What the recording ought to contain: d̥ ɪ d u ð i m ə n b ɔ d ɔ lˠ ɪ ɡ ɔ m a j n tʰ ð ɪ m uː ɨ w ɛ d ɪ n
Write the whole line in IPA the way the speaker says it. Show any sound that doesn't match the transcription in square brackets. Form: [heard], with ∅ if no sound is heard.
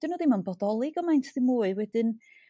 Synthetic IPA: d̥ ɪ [n] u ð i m [a] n b ɔ d ɔ lˠ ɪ ɡ ɔ m a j n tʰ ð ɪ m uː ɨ w ɛ d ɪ n

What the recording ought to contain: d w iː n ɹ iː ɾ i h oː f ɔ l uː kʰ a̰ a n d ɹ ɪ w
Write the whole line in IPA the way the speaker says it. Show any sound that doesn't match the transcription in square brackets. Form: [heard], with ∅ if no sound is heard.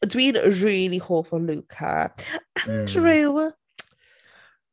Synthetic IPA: d w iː n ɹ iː [l] i h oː f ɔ l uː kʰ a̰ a n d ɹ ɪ w

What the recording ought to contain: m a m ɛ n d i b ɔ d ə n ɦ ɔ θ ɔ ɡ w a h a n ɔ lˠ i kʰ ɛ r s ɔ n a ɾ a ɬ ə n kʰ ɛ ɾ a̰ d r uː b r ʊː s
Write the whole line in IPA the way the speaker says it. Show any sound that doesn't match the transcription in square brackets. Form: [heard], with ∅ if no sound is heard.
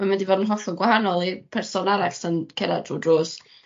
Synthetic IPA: m a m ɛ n d i [v] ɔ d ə n ɦ ɔ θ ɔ ɡ w a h a n ɔ lˠ i [pʰ] ɛ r s ɔ n a ɾ a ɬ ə n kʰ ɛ ɾ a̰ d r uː [d] r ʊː s

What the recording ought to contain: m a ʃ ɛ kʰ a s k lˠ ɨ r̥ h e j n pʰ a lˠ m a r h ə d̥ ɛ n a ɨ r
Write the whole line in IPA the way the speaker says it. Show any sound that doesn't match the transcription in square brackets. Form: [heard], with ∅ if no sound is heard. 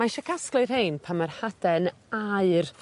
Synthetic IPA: m a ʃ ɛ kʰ a s k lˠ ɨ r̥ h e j n pʰ a [∅] m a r h [a] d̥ ɛ n a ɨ r

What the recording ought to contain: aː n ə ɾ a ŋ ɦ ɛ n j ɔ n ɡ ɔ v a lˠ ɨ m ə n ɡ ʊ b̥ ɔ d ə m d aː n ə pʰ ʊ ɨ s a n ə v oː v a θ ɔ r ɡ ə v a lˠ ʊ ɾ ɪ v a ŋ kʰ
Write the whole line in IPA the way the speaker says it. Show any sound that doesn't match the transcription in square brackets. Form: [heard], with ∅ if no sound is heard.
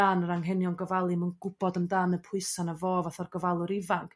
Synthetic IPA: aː n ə ɾ a ŋ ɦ ɛ n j ɔ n ɡ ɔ v a lˠ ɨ m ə n ɡ ʊ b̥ ɔ d ə m d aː n ə pʰ ʊ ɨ s a n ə v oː v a θ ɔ r ɡ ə v a lˠ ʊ ɾ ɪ v a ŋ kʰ

